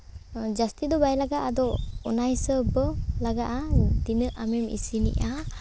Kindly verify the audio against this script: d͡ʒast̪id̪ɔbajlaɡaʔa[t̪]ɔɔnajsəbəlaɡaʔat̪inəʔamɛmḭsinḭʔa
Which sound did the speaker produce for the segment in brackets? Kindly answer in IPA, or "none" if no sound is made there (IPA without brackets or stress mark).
d̪